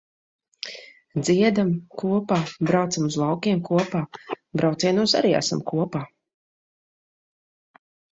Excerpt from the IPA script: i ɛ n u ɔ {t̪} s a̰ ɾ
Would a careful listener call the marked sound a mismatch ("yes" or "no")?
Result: yes